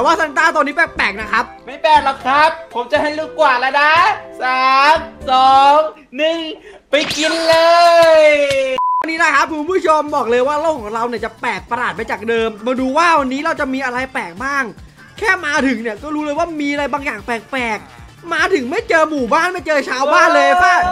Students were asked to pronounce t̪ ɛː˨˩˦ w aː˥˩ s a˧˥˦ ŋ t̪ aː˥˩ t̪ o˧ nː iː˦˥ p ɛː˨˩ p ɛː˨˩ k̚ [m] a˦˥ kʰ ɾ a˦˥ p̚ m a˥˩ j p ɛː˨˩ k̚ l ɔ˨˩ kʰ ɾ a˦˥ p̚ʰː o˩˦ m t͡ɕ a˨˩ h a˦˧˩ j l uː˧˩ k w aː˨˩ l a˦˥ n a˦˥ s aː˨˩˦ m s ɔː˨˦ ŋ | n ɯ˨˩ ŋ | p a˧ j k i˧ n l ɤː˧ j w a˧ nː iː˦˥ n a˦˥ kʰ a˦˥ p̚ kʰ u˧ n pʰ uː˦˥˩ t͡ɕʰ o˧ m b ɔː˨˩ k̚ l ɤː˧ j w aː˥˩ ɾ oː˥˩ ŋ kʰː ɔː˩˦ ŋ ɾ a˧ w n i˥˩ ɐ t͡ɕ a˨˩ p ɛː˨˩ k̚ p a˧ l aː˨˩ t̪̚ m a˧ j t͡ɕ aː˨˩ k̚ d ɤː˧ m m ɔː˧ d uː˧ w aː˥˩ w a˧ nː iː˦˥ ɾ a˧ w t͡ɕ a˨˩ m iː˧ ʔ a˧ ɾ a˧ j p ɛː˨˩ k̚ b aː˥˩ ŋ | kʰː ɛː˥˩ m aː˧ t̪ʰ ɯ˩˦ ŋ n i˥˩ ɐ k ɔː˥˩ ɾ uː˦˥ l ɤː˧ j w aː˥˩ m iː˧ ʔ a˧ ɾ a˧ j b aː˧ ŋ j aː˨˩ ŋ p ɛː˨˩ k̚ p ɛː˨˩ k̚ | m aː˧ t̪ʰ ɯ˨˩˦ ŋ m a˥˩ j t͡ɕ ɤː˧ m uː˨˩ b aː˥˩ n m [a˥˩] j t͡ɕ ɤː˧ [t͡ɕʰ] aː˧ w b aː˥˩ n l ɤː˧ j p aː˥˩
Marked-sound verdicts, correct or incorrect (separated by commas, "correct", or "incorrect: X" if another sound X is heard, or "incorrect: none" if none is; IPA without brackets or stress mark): incorrect: n, correct, correct